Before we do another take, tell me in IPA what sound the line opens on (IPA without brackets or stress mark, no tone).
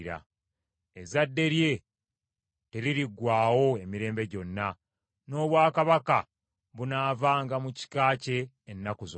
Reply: ɾ